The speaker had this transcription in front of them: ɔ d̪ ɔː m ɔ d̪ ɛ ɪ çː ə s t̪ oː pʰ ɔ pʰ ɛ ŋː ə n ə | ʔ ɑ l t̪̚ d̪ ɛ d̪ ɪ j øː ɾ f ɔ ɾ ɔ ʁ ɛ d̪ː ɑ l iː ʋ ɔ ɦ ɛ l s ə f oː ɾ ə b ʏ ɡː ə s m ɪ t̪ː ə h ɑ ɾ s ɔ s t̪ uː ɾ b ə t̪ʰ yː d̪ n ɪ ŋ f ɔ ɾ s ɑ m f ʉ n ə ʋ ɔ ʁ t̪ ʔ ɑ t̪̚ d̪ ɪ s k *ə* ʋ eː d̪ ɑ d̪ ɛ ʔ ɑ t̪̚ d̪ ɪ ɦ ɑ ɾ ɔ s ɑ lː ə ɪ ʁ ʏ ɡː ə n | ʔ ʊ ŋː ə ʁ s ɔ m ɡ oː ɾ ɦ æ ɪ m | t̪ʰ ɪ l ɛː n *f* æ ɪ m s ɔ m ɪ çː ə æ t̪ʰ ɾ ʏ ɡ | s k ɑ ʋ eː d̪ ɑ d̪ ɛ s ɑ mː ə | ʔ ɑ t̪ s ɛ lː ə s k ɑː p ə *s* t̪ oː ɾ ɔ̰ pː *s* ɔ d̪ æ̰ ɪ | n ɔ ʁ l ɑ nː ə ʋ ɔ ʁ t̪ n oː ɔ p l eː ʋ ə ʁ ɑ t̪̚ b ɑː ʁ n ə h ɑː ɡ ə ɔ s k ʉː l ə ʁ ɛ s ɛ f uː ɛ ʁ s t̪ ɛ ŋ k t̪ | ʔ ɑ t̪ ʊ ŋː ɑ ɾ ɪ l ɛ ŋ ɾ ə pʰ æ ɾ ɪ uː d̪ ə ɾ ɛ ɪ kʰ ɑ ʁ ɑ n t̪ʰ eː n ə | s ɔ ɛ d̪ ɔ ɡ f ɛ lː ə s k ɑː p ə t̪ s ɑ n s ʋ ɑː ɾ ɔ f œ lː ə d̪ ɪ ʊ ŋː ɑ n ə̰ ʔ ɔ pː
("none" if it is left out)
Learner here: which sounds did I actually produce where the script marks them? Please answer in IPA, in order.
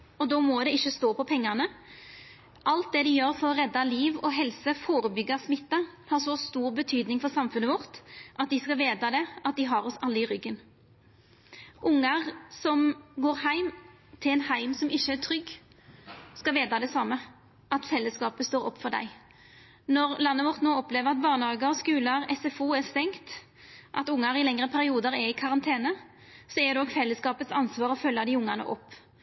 ɑ, h, s, f

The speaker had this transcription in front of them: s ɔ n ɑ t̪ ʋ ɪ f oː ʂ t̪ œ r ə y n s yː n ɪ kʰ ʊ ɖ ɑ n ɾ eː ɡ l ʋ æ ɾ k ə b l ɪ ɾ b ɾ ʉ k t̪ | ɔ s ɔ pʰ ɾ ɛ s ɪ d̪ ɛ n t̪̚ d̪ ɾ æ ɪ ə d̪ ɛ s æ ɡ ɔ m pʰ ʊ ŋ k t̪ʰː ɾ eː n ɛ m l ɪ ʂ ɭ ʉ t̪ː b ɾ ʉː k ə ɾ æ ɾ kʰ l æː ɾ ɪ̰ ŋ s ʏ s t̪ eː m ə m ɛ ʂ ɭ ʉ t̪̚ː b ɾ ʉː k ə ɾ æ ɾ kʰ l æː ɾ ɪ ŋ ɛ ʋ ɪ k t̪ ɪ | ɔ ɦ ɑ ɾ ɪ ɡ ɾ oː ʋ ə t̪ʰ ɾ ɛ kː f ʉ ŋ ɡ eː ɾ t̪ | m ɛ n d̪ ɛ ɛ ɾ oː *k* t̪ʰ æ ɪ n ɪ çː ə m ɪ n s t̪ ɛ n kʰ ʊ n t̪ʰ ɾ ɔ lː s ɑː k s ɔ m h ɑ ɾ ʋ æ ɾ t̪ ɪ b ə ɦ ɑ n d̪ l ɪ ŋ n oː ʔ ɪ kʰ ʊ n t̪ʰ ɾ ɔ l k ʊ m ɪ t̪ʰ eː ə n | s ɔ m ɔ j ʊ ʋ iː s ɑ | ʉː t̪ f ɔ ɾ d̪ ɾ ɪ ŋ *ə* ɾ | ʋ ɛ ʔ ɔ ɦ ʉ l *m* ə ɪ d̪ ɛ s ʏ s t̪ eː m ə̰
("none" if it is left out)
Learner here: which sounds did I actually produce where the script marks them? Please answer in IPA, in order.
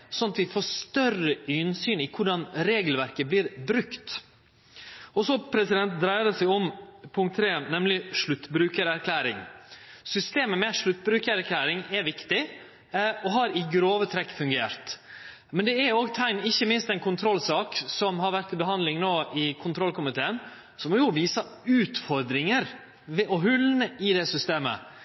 ɡ, ə, n

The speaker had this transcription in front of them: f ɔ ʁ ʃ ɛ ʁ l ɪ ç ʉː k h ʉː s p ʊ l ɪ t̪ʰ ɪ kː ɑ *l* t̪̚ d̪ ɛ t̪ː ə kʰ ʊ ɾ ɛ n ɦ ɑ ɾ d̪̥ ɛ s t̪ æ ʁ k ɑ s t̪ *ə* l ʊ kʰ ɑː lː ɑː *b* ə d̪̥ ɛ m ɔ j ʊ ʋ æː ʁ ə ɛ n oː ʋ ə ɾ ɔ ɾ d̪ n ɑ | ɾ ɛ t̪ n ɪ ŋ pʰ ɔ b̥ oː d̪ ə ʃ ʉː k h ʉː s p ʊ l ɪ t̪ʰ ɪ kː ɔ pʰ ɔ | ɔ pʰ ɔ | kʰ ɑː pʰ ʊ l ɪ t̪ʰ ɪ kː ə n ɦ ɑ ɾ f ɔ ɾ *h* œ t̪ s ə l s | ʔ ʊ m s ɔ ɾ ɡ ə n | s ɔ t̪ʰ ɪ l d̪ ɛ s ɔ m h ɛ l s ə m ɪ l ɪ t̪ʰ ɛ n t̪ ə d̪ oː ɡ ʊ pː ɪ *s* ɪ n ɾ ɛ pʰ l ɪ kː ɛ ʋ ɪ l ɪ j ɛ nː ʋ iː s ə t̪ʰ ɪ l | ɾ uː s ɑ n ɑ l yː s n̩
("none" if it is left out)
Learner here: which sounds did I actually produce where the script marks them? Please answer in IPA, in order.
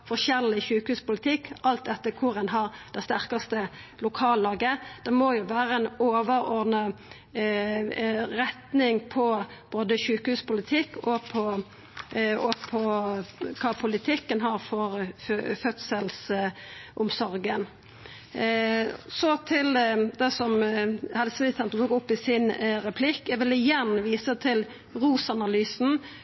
l, ə, ɡ, f, s

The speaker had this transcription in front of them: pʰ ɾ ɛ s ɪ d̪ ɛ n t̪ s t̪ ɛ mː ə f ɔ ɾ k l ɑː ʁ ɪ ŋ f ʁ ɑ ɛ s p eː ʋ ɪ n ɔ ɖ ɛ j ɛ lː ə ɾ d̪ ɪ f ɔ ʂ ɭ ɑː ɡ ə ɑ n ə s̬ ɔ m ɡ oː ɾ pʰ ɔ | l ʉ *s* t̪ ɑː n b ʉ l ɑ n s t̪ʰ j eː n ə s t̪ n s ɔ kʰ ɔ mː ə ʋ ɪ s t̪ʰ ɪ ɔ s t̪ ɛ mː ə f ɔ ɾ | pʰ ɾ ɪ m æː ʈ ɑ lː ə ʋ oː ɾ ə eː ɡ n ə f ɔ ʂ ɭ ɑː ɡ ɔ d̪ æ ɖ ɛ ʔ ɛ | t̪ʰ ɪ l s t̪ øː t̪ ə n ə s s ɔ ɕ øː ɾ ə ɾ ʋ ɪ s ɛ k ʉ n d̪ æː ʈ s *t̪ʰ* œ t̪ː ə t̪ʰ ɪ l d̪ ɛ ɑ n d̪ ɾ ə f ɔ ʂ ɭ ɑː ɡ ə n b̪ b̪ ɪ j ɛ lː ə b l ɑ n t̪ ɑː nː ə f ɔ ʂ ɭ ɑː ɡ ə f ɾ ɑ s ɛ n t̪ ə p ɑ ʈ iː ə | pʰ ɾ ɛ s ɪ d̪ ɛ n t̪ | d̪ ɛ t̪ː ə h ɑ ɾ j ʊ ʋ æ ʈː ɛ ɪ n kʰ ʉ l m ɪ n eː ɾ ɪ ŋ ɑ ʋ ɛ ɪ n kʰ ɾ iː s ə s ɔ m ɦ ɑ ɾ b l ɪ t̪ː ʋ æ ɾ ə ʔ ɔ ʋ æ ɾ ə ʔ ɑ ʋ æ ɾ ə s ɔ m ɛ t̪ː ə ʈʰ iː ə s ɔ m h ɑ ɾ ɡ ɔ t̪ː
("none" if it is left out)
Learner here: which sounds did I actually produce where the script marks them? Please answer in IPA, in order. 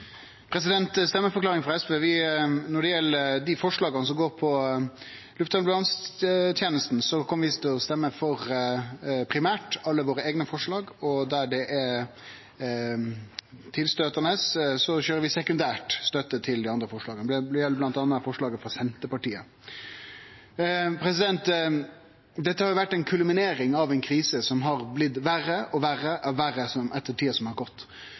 f, t̪

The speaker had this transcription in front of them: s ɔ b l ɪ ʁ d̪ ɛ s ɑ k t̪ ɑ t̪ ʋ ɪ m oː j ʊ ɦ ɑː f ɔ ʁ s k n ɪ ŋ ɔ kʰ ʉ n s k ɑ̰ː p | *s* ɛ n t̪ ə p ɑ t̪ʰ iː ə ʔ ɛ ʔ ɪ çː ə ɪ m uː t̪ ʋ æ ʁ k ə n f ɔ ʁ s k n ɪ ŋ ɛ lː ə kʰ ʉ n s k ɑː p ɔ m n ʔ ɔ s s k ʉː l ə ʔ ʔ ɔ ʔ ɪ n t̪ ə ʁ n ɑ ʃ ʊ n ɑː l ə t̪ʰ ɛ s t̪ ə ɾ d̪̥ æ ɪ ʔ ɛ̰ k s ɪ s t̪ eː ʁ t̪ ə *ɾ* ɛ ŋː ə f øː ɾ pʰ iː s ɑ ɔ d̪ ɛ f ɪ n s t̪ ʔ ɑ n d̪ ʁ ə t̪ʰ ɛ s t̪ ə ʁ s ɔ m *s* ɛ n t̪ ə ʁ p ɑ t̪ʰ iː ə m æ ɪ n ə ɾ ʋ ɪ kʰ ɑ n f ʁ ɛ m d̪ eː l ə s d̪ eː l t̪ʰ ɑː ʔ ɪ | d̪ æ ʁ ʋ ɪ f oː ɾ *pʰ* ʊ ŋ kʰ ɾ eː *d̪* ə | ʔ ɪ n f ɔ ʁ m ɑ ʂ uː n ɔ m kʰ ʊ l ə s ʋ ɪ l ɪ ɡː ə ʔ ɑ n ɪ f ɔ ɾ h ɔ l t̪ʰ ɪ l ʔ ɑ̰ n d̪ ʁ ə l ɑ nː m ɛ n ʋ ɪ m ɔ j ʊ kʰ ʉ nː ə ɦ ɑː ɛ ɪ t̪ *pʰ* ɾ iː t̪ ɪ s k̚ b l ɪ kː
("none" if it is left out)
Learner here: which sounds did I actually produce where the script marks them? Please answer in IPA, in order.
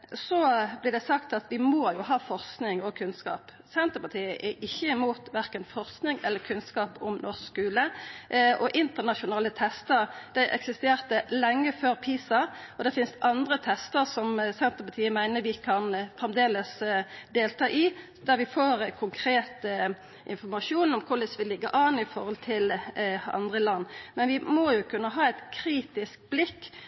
s, l, s, kʰ, t̪, kʰ

